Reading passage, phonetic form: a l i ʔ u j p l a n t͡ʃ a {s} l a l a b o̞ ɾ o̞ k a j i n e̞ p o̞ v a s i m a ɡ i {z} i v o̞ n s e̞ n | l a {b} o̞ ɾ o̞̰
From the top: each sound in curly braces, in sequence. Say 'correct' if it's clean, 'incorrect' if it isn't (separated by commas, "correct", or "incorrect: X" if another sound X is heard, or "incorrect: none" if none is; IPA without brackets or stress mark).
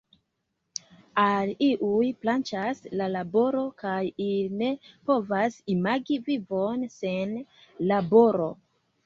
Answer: correct, incorrect: v, correct